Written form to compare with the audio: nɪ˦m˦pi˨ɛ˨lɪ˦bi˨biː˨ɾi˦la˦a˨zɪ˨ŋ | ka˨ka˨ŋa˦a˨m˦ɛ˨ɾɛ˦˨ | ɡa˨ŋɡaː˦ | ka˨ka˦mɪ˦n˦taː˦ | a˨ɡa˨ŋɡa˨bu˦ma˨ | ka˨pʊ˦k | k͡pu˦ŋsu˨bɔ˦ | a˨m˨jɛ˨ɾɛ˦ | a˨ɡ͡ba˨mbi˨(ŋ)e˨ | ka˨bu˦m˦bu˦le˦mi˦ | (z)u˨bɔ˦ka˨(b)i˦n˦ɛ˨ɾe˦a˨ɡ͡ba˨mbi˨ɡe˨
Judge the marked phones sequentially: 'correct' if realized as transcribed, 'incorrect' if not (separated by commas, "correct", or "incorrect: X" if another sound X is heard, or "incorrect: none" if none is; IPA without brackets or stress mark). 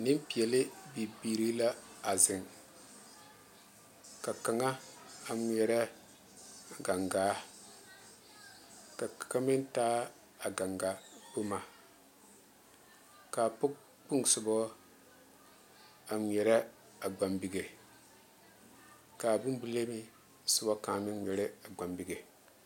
incorrect: ɡ, incorrect: s, incorrect: m